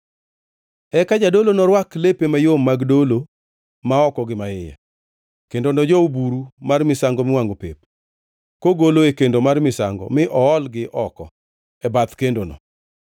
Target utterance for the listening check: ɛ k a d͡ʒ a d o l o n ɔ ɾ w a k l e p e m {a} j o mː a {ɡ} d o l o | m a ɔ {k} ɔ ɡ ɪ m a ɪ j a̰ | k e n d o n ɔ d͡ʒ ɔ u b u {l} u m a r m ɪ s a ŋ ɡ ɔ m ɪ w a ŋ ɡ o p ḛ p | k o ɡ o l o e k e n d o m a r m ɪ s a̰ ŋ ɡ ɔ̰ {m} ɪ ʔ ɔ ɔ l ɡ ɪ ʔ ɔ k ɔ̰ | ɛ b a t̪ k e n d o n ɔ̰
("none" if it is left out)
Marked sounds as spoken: a, ɡ, k, ɾ, m

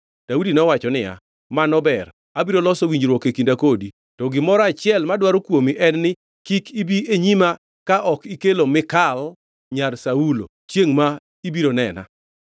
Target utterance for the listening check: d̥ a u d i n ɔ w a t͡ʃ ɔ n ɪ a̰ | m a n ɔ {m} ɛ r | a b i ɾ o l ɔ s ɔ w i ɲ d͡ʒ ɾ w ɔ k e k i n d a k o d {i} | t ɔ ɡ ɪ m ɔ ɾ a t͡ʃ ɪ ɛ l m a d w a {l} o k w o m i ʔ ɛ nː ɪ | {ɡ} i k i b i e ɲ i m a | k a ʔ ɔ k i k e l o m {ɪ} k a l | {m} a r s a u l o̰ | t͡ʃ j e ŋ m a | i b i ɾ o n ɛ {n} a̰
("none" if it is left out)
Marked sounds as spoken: b, i, ɾ, k, ɪ, ɲ, n

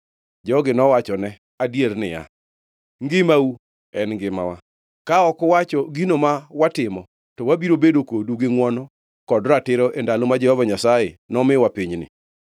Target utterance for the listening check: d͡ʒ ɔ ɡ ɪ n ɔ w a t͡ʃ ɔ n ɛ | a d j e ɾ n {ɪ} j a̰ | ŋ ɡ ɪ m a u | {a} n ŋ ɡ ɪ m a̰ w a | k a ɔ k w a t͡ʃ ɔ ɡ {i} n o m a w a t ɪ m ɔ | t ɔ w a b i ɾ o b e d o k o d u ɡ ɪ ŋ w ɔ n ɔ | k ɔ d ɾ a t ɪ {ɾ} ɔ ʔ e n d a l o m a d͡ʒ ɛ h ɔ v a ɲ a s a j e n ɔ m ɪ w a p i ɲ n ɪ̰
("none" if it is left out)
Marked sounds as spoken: ɪ, ɛ, i, ɾ

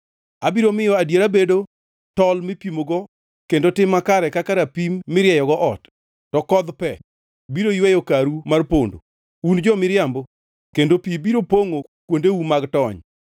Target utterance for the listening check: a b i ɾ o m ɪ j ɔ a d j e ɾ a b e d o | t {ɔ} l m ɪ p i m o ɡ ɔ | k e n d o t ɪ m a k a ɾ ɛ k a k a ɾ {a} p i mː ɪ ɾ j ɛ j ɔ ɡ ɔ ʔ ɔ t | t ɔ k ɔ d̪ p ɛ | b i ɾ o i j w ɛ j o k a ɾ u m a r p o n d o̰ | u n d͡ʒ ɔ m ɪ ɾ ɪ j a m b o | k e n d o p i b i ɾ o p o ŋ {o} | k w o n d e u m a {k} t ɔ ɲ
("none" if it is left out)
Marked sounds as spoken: ɔ, a, o, ɡ

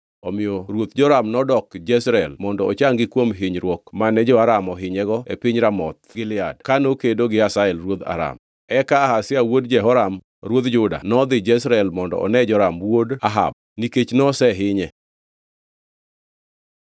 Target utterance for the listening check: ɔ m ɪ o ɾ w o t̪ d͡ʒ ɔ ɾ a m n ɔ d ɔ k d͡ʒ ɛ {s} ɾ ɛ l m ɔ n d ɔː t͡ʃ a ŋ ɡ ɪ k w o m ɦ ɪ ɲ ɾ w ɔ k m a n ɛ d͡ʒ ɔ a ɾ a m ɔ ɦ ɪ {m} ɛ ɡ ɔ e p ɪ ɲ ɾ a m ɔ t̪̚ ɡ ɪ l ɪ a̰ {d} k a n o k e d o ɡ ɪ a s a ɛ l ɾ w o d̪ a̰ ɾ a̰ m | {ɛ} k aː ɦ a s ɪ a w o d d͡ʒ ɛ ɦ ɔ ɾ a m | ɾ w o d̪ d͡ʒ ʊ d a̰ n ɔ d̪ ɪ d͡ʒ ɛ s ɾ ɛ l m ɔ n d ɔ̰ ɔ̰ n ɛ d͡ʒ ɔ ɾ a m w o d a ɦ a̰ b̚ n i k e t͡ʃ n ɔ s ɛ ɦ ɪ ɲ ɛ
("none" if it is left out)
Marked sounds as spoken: s, ɲ, d, ɛ

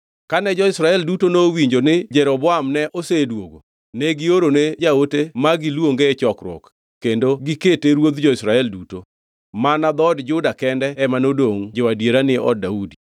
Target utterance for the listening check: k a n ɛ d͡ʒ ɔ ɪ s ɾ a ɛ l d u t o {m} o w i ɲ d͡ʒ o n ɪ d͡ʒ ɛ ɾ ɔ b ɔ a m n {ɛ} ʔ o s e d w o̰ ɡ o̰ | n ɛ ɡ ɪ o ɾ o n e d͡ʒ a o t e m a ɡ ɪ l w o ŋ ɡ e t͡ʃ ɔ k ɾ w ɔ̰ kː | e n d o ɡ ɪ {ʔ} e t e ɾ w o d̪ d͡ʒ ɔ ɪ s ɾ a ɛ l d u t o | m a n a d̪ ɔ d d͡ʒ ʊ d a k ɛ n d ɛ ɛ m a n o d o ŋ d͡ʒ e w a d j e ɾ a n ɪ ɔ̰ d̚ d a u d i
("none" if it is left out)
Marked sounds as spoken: n, ɛ, k

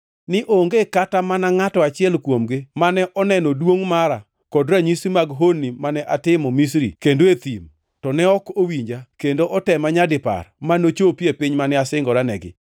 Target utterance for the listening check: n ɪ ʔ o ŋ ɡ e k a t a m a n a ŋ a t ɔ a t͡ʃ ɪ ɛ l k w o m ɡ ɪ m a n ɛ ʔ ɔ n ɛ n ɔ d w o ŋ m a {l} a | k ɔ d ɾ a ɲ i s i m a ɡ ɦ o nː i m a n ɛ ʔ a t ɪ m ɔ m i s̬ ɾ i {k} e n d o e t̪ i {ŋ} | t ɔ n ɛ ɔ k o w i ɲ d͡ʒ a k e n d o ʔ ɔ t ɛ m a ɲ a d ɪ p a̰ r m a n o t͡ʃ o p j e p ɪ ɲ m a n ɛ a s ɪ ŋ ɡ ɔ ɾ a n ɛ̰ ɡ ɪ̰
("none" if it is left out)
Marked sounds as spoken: ɾ, k, m

